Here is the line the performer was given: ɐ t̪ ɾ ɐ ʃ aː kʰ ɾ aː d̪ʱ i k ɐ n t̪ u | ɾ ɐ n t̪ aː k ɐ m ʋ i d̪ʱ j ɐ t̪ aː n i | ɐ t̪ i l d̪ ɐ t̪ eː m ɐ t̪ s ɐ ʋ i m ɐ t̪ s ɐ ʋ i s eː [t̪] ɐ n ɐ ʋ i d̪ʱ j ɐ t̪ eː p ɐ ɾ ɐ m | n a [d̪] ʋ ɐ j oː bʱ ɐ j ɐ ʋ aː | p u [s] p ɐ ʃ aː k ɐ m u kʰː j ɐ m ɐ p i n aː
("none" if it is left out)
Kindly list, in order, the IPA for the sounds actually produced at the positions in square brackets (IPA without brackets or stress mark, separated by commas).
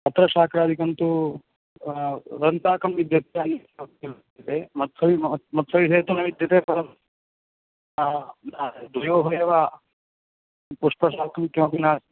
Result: t̪, d̪, ʂ